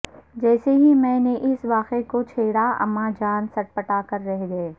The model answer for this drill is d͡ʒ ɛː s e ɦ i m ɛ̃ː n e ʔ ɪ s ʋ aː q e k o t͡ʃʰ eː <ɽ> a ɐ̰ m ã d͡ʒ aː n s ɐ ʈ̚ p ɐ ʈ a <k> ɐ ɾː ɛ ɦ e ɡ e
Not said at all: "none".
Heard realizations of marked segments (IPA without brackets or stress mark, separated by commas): ɽ, k